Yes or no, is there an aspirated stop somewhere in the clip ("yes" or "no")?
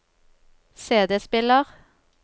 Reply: no